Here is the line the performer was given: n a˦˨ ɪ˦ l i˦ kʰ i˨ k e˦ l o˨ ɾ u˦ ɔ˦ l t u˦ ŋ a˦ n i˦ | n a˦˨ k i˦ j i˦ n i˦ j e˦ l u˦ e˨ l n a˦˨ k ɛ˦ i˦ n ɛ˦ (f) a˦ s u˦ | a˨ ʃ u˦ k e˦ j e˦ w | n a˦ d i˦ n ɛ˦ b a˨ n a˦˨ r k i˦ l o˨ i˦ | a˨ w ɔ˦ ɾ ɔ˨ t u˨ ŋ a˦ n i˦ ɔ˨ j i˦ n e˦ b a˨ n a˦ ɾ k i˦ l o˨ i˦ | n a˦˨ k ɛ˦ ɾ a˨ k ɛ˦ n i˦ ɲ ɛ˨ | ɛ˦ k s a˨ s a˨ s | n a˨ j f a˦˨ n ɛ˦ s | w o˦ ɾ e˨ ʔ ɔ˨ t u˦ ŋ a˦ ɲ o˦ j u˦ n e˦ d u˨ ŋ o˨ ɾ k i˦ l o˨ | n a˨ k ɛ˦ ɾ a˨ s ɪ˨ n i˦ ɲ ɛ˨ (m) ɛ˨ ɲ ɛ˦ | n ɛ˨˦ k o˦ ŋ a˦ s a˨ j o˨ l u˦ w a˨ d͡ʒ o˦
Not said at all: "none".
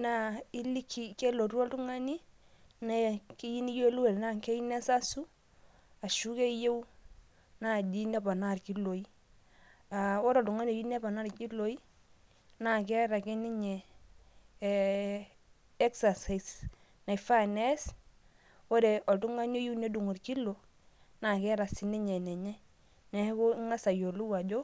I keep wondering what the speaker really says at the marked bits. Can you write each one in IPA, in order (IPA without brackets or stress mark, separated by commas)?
s, n